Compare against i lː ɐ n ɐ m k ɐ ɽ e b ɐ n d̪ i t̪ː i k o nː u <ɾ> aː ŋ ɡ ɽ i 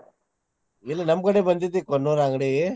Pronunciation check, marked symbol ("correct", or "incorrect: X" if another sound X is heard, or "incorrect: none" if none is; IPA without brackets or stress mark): correct